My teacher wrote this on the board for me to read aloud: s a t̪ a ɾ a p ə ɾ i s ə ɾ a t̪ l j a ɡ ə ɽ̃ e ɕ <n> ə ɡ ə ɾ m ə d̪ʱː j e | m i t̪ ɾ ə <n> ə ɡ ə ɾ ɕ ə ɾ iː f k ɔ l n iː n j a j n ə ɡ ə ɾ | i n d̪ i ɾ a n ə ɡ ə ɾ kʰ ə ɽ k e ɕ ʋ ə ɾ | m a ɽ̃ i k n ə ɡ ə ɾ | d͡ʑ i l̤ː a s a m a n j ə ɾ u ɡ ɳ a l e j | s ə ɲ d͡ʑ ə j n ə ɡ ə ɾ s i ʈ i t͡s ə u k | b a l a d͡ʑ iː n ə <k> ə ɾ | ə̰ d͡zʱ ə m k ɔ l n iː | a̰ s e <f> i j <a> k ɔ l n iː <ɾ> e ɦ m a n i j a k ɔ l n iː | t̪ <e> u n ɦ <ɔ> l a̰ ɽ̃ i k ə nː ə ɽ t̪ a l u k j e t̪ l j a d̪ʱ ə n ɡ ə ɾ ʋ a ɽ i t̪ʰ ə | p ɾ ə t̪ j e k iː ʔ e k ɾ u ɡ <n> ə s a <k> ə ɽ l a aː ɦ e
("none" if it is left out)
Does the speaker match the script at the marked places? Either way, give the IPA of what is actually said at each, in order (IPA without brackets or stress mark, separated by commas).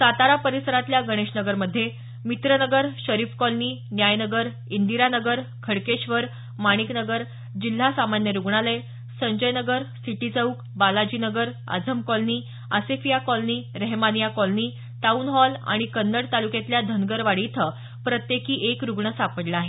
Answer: n, n, ɡ, f, a, ɾ, a, ɔ, ɳ, p